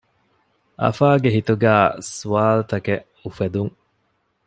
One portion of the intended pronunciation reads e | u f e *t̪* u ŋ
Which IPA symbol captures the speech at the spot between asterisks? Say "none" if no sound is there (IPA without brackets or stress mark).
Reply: d̪